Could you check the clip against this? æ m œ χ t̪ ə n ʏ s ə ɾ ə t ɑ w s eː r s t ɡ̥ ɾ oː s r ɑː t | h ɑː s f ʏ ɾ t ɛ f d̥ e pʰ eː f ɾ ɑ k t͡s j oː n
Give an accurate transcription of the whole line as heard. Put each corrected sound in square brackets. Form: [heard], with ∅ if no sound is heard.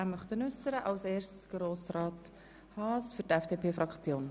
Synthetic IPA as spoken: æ m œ χ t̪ ə n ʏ s ə ɾ ə [ʔ] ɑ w s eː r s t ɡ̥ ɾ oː s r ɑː t | h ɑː s f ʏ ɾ t ɛ f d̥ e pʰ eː f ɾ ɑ k t͡s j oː n